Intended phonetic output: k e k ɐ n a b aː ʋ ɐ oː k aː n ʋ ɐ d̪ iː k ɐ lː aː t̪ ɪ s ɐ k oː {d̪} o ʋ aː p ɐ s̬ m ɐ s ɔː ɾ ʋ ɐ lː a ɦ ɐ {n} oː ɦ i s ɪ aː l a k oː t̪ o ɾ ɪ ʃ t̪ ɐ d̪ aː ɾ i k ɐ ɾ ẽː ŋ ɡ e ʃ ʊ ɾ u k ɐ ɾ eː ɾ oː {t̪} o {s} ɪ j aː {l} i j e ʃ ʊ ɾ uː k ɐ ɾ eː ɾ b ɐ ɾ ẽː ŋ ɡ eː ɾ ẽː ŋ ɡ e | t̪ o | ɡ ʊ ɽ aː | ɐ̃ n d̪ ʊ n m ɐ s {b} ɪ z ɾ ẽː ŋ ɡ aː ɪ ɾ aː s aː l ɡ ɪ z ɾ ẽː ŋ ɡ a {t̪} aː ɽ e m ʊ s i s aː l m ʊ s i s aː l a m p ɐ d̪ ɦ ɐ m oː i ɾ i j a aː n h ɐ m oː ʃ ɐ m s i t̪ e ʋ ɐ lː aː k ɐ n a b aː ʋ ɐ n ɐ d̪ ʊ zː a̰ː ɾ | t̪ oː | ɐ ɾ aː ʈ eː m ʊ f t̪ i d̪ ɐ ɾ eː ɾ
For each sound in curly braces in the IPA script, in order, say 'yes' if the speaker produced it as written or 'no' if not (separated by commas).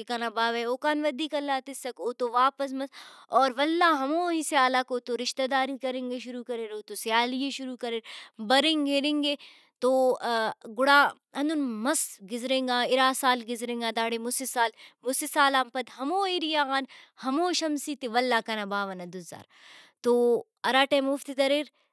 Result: no, no, yes, yes, yes, no, no